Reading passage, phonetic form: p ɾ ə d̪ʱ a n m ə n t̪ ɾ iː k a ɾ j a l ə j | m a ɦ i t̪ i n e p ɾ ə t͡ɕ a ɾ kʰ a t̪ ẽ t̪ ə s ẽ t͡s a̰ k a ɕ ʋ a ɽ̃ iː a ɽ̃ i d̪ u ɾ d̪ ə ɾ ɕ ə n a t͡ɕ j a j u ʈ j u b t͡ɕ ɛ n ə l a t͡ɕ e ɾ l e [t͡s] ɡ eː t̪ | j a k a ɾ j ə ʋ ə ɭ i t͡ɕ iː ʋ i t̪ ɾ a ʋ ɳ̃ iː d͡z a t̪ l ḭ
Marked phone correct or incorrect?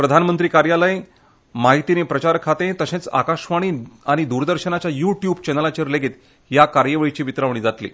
incorrect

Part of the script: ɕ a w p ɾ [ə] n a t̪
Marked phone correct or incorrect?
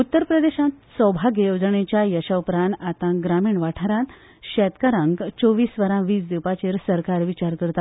incorrect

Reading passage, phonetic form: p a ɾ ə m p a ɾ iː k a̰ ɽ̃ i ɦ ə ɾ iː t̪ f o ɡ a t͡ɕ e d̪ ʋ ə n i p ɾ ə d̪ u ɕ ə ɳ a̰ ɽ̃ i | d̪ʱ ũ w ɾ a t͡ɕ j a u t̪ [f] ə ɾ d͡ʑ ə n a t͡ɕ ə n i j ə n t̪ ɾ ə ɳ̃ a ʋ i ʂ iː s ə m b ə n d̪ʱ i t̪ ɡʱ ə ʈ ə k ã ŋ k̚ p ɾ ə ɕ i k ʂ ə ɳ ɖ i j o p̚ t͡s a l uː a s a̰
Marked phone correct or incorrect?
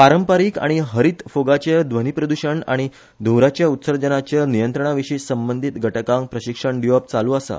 incorrect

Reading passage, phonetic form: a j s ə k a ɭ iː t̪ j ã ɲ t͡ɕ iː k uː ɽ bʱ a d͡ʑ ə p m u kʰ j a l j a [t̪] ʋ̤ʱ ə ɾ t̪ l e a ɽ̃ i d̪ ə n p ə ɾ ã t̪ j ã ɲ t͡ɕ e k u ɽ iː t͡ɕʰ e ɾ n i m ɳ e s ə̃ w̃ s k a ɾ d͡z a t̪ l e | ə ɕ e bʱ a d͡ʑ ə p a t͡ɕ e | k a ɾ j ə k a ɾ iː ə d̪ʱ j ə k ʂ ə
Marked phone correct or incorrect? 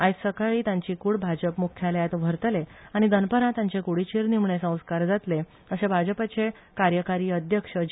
correct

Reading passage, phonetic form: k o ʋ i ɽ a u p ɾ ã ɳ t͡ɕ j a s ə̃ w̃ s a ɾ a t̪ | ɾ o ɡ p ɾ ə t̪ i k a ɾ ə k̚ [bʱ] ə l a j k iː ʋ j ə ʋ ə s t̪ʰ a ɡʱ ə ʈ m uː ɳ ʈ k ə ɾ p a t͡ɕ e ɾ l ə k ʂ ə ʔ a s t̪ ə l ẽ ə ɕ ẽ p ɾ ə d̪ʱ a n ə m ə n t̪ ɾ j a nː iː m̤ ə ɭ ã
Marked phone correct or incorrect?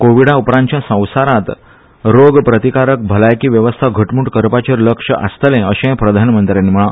correct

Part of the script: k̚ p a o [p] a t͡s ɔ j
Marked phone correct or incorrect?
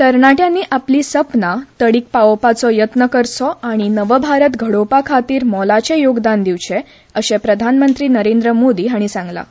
correct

